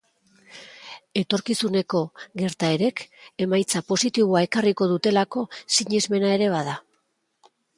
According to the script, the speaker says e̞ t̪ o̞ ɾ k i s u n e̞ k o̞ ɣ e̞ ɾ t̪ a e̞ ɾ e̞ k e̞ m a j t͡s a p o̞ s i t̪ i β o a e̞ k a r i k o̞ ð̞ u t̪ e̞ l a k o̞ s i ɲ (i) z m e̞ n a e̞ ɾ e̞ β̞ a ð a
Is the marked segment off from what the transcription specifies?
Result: no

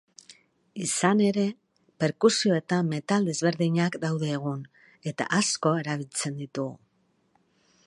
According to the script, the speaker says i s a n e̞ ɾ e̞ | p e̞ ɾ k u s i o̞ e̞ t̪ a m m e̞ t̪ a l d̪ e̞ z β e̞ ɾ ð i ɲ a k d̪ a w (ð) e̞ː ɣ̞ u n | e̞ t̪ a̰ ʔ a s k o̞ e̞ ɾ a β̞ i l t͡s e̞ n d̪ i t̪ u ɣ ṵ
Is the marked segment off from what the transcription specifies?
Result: no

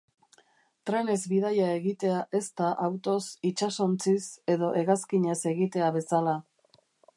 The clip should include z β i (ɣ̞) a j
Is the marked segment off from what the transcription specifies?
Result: yes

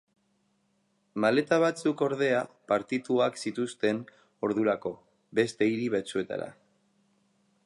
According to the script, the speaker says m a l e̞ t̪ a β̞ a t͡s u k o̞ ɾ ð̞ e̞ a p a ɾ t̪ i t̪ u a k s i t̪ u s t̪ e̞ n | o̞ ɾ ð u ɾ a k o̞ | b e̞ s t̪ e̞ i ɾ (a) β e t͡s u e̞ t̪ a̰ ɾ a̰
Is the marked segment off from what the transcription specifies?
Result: yes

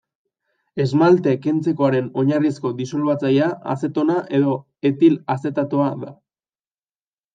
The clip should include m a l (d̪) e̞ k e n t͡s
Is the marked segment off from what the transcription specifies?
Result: yes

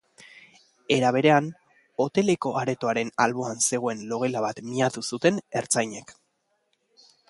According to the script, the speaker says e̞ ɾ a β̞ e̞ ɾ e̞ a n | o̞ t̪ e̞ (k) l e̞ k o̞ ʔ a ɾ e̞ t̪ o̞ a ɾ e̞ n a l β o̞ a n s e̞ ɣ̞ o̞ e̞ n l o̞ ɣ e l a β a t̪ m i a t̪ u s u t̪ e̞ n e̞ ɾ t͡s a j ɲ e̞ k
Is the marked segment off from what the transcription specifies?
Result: yes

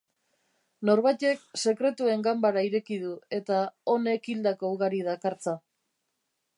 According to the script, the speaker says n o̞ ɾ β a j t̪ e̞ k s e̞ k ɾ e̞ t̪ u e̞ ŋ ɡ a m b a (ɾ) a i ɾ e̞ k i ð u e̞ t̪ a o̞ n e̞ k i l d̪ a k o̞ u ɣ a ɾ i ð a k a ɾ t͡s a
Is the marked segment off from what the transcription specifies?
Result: no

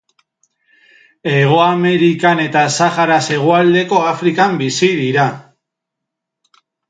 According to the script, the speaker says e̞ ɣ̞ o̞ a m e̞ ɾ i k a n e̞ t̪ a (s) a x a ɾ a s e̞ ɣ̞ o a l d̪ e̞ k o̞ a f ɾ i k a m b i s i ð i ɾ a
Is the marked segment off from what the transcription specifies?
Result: no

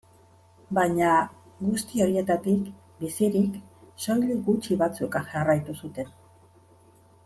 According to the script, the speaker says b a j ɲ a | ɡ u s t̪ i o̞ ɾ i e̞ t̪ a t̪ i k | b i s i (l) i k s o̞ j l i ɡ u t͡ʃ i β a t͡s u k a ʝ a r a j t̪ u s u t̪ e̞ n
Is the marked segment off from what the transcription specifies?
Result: yes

